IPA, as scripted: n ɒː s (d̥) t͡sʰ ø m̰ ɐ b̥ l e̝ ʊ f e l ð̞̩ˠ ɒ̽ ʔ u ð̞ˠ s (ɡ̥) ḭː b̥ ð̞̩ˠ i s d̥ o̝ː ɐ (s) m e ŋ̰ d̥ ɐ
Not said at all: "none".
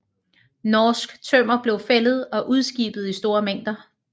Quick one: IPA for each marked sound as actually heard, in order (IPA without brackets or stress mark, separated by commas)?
ɡ̥, ɡ̥, none